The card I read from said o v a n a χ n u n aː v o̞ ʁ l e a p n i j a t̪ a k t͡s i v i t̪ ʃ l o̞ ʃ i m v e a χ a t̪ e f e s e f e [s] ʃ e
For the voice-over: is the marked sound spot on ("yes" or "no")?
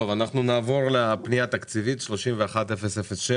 yes